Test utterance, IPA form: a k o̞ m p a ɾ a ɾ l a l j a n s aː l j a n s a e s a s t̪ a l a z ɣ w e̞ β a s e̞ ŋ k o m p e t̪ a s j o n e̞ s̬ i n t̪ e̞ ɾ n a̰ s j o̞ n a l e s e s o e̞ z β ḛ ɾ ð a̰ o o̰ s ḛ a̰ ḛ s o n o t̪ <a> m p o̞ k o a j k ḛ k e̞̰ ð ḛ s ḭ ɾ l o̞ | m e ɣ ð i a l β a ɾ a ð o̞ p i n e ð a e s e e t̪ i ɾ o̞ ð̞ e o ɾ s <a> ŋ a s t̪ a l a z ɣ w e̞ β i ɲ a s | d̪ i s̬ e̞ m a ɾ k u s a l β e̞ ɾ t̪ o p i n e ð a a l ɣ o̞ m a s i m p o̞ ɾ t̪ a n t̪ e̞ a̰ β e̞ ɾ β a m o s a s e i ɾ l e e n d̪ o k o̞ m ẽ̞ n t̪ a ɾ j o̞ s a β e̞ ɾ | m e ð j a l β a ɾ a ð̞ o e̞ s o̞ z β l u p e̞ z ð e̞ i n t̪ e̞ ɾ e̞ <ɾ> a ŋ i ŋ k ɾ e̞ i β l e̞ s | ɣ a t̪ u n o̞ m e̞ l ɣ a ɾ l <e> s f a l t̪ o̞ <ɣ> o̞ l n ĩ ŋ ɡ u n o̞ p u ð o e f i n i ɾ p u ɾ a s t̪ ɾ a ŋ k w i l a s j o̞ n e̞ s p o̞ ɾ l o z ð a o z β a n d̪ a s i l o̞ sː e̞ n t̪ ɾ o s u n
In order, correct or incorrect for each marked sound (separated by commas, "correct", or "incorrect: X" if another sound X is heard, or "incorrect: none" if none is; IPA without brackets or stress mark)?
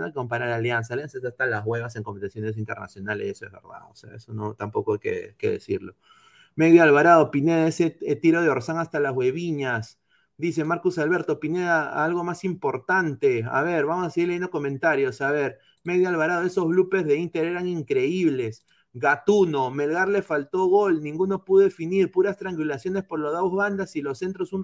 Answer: correct, correct, correct, correct, correct